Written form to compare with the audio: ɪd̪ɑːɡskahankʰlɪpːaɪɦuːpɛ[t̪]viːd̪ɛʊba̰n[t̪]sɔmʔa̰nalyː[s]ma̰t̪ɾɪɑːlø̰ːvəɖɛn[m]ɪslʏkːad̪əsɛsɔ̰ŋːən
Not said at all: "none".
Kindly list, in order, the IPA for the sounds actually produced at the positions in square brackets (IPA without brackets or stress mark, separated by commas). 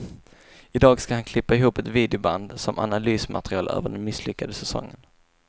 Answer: t̪, d̪, s, m